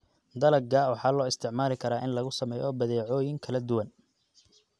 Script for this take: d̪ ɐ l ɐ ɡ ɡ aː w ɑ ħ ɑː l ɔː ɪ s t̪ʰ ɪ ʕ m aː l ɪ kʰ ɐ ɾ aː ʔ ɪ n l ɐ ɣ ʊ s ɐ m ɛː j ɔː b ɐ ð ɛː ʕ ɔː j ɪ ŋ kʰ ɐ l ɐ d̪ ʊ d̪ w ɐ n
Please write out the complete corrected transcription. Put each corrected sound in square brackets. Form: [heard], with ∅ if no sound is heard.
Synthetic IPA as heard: d̪ ɐ l ɐ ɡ ɡ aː w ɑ ħ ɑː l ɔː ɪ s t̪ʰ ɪ ʕ m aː l ɪ kʰ ɐ ɾ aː ʔ ɪ n l ɐ ɣ ʊ s ɐ m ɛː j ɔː b ɐ ð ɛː ʕ ɔː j ɪ ŋ kʰ ɐ l ɐ d̪ ʊ [∅] w ɐ n